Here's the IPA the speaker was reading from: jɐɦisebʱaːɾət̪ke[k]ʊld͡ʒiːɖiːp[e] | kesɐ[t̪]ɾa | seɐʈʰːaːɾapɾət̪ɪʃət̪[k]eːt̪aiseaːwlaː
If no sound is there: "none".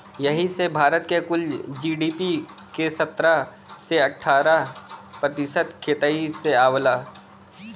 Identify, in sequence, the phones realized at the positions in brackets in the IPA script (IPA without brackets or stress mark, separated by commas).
k, i, t̪, kʰ